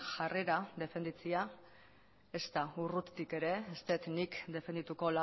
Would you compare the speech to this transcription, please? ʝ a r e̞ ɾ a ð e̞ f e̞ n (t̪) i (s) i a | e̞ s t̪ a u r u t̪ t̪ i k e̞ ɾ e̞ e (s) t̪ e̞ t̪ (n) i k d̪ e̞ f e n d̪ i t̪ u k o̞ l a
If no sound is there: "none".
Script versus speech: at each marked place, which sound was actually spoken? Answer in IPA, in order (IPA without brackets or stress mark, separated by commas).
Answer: d̪, t͡s, s, n